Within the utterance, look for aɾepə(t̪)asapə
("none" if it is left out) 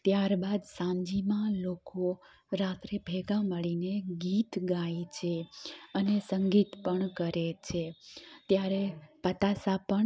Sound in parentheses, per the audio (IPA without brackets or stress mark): t̪